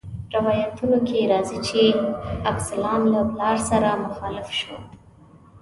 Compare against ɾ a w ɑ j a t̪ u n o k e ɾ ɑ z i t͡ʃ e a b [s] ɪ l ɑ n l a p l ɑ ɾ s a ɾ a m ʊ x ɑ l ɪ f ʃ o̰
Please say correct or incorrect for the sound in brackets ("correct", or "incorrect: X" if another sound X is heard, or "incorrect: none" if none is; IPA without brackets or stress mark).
correct